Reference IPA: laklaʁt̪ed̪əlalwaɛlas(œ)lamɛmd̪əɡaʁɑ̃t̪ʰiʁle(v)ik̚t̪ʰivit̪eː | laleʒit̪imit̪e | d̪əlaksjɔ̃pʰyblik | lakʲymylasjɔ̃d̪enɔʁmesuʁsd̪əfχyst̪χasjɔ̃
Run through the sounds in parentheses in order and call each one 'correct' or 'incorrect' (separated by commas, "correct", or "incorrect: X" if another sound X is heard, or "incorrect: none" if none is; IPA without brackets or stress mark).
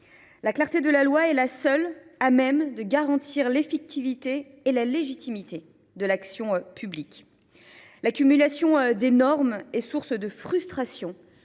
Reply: correct, incorrect: f